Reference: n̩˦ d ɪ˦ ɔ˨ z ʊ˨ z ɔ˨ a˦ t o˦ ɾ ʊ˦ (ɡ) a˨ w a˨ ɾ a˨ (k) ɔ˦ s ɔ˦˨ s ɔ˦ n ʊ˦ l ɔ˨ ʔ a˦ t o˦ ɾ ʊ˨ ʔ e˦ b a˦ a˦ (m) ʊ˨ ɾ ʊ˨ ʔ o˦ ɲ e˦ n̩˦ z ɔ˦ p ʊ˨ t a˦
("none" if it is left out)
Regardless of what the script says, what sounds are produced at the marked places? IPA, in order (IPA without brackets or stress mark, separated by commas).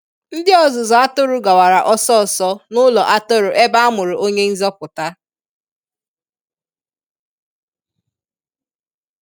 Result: ɡ, ʔ, m